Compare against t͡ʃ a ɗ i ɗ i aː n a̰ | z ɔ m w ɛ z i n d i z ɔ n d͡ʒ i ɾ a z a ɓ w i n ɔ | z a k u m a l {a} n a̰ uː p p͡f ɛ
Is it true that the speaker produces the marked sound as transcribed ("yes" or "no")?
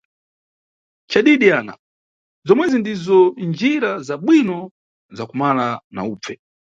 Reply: yes